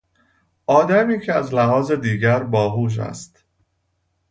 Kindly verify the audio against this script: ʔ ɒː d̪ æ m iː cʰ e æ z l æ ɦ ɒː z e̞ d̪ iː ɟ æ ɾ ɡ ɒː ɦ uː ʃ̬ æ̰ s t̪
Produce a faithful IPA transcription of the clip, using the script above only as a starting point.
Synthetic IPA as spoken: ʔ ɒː d̪ æ m iː cʰ e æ z l æ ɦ ɒː z e̞ d̪ iː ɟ æ ɾ b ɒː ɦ uː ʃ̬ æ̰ s t̪

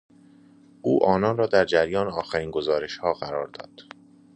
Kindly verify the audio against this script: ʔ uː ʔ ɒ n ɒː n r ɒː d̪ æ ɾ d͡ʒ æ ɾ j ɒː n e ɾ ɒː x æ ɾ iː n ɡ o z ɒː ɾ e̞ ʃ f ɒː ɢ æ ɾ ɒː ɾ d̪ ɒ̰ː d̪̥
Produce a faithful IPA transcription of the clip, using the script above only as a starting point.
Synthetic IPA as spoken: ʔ uː ʔ ɒː n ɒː n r ɒː d̪ æ ɾ d͡ʒ æ ɾ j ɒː n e ɒː x æ ɾ iː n ɡ o z ɒː ɾ e̞ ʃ h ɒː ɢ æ ɾ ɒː ɾ d̪ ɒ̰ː d̪̥

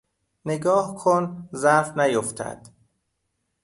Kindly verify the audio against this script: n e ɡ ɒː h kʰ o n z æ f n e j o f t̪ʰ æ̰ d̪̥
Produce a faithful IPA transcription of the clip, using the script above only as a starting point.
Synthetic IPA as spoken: n e ɡ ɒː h kʰ o n z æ f n æ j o f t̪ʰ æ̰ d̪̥

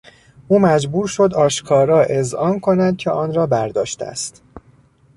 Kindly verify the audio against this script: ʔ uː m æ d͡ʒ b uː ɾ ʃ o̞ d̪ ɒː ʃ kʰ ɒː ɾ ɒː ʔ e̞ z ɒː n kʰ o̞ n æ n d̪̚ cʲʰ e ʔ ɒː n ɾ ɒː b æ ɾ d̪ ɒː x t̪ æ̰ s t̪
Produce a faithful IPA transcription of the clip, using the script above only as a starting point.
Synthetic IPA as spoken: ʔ uː m æ d͡ʒ b uː ɾ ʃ o̞ d̪ ɒː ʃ kʰ ɒː ɾ ɒː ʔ e̞ z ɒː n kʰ o̞ n æ n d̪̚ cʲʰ e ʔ ɒː n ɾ ɒː b æ ɾ d̪ ɒː ʃ t̪ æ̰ s t̪

